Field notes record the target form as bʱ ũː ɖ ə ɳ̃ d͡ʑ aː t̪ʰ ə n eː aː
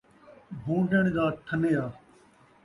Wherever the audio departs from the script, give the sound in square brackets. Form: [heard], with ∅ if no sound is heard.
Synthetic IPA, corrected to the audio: bʱ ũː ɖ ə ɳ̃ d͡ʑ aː t̪ʰ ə n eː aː